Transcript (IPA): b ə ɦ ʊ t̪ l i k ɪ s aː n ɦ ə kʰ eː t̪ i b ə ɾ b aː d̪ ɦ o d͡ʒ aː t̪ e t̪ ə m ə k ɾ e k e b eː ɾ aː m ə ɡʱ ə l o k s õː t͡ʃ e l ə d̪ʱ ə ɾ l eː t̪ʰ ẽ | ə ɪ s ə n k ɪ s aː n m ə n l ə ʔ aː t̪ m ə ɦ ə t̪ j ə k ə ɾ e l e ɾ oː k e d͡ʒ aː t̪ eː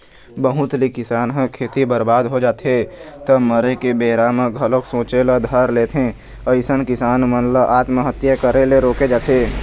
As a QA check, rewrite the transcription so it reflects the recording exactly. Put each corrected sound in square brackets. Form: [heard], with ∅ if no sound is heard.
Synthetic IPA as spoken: b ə ɦ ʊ t̪ l i k ɪ s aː n ɦ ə kʰ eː t̪ i b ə ɾ b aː d̪ ɦ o d͡ʒ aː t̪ e t̪ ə m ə [∅] ɾ e k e b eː ɾ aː m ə ɡʱ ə l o k s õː t͡ʃ e l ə d̪ʱ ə ɾ l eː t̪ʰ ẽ | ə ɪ s ə n k ɪ s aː n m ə n l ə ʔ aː t̪ m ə ɦ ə t̪ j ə k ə ɾ e l e ɾ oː k e d͡ʒ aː t̪ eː

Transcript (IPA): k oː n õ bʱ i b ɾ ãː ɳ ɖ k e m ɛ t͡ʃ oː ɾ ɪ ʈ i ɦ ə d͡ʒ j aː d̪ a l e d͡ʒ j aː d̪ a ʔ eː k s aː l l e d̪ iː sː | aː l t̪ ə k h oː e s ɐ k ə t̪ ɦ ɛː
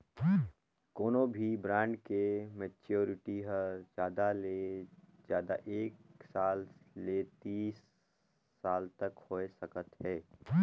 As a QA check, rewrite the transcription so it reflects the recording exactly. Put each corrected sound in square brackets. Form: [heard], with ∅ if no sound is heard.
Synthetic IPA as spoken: k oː n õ bʱ i b ɾ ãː ɳ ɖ k e m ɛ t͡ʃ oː ɾ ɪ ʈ i ɦ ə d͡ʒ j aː d̪ a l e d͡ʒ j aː d̪ a ʔ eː k s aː l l e [t̪] iː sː | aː l t̪ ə k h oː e s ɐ k ə t̪ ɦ ɛː

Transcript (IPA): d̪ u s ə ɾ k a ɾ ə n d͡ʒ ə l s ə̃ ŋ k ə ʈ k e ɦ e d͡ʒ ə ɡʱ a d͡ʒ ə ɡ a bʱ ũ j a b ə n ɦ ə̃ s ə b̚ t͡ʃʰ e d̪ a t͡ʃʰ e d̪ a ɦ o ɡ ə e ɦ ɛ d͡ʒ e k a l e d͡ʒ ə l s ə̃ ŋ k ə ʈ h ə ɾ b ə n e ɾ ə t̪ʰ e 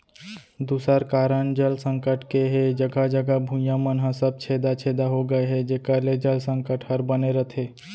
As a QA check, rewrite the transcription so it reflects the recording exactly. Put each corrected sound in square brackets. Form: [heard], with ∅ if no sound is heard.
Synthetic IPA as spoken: d̪ u s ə ɾ k a ɾ ə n d͡ʒ ə l s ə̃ ŋ k ə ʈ k e ɦ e d͡ʒ ə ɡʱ a d͡ʒ ə ɡ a bʱ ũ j a [m] ə n ɦ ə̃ s ə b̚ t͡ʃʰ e d̪ a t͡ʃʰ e d̪ a ɦ o ɡ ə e ɦ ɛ d͡ʒ e k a l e d͡ʒ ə l s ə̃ ŋ k ə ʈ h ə ɾ b ə n e ɾ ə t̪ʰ e

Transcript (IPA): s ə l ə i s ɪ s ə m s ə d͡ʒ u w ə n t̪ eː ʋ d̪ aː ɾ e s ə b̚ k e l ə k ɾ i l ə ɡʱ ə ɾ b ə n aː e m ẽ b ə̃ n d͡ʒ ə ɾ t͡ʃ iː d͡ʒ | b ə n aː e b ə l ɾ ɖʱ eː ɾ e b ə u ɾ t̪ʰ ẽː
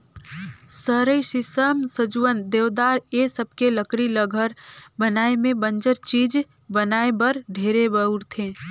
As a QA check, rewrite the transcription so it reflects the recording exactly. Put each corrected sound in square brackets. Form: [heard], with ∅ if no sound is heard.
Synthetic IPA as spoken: s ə [ɾ] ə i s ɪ s ə m s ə d͡ʒ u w ə n [d̪] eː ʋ d̪ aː ɾ e s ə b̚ k e l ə k ɾ i l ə ɡʱ ə ɾ b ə n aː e m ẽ b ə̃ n d͡ʒ ə ɾ t͡ʃ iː d͡ʒ | b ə n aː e b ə [∅] ɾ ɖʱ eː ɾ e b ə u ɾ t̪ʰ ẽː

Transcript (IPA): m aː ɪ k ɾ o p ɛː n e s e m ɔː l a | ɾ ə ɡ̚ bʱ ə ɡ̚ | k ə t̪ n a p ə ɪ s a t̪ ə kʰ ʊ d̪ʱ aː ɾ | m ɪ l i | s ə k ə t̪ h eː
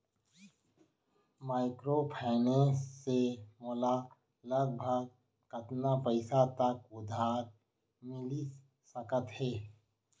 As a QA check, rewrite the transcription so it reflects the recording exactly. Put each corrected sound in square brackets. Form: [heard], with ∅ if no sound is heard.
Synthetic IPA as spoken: m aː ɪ k ɾ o [pʰ] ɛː n e s e m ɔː l a | [l] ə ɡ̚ bʱ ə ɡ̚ | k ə t̪ n a p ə ɪ s a t̪ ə [k] ʊ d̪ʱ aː ɾ | m ɪ l i | s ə k ə t̪ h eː

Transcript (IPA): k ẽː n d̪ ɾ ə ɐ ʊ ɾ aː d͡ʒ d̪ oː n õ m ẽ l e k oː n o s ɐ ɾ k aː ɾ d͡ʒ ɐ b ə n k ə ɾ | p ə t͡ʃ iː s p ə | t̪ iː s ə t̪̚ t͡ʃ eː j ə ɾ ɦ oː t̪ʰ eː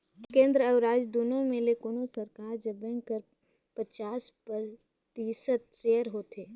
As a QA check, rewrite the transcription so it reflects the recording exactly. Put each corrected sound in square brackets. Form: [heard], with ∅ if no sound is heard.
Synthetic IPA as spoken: k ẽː n d̪ ɾ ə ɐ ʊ ɾ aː d͡ʒ d̪ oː n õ m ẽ l e k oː n o s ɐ ɾ k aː ɾ d͡ʒ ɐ b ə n k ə ɾ | p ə t͡ʃ [aː] s p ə | t̪ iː s ə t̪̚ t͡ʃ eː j ə ɾ ɦ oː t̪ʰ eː

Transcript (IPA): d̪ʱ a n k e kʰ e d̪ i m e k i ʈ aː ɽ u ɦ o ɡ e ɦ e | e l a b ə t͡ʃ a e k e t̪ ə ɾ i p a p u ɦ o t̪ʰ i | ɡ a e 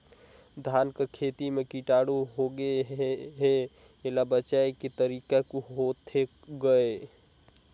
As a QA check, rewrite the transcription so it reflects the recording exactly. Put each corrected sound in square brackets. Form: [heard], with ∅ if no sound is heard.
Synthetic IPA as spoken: d̪ʱ a n k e kʰ e [t̪] i m e k i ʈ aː ɽ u ɦ o ɡ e ɦ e | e l a b ə t͡ʃ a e k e t̪ ə ɾ i [k] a [k] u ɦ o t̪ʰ [e] | ɡ [ə] e

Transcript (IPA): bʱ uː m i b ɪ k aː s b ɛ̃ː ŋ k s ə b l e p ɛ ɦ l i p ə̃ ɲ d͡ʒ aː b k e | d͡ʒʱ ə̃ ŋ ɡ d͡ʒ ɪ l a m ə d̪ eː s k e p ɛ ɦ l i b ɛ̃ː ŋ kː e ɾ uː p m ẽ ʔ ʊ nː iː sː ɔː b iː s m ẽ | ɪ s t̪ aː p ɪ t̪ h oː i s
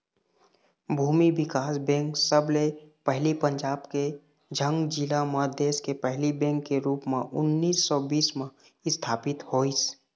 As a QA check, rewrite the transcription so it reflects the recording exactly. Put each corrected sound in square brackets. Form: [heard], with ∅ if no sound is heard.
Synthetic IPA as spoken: bʱ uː m i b ɪ k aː s b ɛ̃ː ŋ k s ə b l e p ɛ ɦ l i p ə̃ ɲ d͡ʒ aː b k e | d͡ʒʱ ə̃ ŋ ɡ d͡ʒ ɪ l a m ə d̪ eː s k e p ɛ ɦ l i b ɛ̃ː ŋ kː e ɾ uː p m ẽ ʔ ʊ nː iː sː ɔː b iː s m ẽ | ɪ s [t̪ʰ] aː p ɪ t̪ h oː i s

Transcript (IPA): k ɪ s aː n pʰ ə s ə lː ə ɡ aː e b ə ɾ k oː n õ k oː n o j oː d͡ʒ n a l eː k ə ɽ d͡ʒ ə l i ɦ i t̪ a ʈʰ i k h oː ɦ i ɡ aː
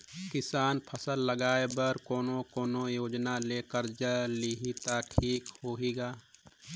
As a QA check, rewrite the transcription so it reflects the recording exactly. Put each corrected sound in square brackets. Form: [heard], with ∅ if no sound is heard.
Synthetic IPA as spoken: k ɪ s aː n pʰ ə s ə lː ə ɡ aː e b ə ɾ k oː n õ k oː n o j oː d͡ʒ n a l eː k ə [ɾ] d͡ʒ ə l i ɦ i t̪ a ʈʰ [iː] k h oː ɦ i ɡ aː

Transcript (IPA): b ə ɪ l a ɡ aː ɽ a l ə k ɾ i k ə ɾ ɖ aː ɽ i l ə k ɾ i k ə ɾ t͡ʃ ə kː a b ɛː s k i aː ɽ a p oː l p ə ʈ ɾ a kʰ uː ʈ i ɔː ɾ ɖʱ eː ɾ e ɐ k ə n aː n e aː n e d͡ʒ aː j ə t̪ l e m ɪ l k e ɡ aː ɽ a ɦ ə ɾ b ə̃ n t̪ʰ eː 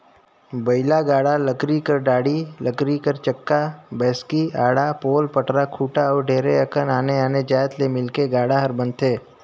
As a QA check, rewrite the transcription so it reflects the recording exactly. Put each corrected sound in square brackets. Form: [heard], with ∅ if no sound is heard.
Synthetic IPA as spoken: b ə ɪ l a ɡ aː ɽ a l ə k ɾ i k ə ɾ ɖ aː ɽ i l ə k ɾ i k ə ɾ t͡ʃ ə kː a b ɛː s k i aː ɽ a p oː l p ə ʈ ɾ a kʰ uː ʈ [a] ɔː ɾ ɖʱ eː ɾ e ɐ k ə n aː n e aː n e d͡ʒ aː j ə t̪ l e m ɪ l k e ɡ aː ɽ a ɦ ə ɾ b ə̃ n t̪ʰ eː

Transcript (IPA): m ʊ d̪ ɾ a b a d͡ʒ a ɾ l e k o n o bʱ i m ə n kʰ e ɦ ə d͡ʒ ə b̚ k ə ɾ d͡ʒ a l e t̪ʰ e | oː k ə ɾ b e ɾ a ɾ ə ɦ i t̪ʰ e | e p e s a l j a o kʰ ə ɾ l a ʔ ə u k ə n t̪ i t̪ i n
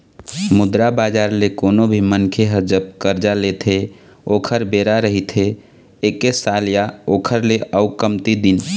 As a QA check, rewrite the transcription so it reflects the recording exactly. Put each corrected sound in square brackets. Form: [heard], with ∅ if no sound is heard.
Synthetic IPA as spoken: m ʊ d̪ ɾ a b a d͡ʒ a ɾ l e k o n o bʱ i m ə n kʰ e ɦ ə d͡ʒ ə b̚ k ə ɾ d͡ʒ a l e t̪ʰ e | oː [kʰ] ə ɾ b e ɾ a ɾ ə ɦ i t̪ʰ e | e [k] e s a l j a o kʰ ə ɾ l [e] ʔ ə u k ə [m] t̪ i [d̪] i n

